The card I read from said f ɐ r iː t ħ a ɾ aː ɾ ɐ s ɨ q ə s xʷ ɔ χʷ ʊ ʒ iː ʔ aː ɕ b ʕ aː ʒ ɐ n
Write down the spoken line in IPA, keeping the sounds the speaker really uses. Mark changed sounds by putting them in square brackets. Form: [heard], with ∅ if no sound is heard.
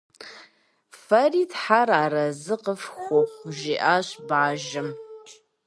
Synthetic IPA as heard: f ɐ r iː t ħ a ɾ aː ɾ ɐ [z] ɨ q ə [f] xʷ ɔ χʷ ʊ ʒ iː ʔ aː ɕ b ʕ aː ʒ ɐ [m]